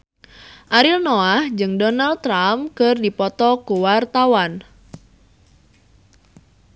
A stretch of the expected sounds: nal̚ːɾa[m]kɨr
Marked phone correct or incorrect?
correct